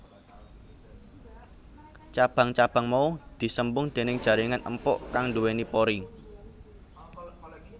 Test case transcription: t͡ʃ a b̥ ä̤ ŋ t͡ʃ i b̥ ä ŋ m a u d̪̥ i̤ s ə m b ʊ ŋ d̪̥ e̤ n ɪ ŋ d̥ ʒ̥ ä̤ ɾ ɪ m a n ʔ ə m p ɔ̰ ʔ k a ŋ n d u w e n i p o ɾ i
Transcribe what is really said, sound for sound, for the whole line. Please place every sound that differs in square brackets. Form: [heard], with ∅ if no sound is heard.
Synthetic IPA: t͡ʃ a b̥ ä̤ ŋ t͡ʃ [a] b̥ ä ŋ m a u d̪̥ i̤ s ə m b ʊ ŋ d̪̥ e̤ n ɪ ŋ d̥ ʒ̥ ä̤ ɾ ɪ [ŋ] a n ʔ ə m p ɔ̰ ʔ k a ŋ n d u w e n i p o ɾ i